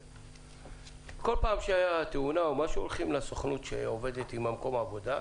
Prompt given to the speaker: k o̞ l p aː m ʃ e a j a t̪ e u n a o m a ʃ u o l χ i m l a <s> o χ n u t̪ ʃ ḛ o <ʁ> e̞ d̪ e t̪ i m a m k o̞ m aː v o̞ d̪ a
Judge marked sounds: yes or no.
yes, no

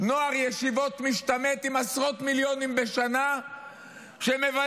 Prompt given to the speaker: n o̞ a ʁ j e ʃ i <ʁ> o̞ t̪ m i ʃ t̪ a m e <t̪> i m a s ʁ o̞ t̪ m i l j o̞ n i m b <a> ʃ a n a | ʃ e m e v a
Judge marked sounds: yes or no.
no, yes, no

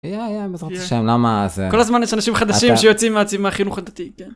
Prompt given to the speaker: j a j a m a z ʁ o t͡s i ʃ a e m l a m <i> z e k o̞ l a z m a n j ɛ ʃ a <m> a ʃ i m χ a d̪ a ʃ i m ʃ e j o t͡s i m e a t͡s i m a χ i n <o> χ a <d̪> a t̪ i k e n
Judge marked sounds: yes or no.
no, no, no, yes

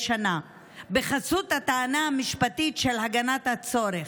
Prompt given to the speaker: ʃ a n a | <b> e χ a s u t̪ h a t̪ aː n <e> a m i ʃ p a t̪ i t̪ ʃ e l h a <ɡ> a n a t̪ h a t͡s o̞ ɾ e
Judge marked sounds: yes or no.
yes, no, yes

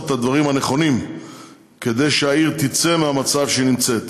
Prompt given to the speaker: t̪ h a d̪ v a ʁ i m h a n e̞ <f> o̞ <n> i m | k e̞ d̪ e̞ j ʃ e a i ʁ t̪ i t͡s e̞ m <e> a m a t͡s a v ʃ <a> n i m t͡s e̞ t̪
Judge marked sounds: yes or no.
no, yes, yes, no

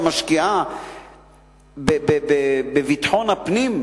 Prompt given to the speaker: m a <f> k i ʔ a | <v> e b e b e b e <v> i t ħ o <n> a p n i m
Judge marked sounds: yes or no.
no, no, yes, yes

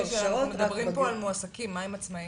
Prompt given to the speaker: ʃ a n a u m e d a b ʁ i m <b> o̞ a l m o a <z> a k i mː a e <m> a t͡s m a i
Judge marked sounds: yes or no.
no, no, yes

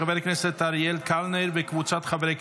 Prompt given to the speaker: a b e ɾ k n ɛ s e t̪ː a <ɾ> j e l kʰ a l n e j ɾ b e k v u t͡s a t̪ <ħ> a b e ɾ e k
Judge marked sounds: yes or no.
yes, no

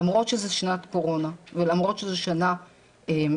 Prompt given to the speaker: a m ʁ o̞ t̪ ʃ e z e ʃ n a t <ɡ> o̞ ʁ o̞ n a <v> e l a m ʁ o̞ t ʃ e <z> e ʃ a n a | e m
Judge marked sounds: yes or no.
no, yes, yes

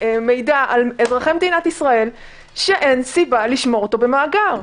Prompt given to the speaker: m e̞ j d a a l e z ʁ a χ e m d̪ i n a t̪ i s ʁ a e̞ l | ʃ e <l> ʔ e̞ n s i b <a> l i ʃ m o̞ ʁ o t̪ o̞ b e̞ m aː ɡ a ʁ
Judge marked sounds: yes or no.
no, yes

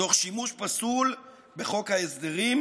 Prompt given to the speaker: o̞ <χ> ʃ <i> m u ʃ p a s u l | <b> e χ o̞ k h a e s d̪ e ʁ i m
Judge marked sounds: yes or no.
yes, yes, yes

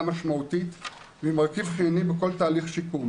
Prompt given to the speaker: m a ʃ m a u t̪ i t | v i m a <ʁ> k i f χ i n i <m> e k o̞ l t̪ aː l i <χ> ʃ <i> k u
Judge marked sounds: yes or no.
yes, no, yes, yes

